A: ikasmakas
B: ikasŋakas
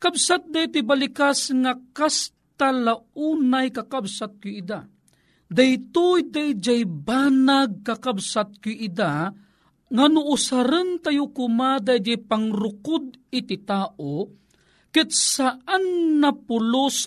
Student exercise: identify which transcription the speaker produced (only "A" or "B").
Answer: B